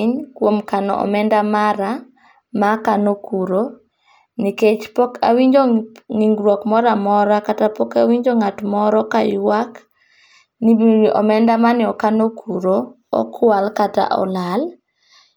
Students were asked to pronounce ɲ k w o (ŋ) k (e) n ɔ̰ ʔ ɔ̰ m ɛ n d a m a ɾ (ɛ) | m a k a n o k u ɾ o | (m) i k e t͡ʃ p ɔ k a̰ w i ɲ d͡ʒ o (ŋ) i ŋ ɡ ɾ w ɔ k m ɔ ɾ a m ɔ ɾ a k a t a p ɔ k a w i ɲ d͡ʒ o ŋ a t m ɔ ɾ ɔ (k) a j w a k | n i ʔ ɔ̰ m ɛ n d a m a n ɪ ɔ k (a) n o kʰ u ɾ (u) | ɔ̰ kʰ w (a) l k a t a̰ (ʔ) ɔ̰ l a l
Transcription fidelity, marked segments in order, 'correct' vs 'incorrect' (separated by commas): incorrect, incorrect, incorrect, incorrect, correct, correct, correct, incorrect, correct, correct